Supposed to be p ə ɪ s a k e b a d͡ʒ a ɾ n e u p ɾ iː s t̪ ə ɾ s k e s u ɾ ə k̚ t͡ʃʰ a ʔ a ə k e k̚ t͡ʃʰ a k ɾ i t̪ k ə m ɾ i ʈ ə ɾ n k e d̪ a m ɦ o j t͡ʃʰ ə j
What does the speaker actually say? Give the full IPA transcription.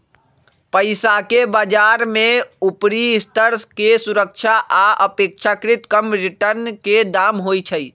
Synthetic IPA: p ə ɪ s a k e b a d͡ʒ a ɾ m e u p ɾ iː s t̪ ə ɾ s k e s u ɾ ə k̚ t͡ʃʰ a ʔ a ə p e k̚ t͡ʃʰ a k ɾ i t̪ k ə m ɾ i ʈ ə ɾ n k e d̪ a m ɦ o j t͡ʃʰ ə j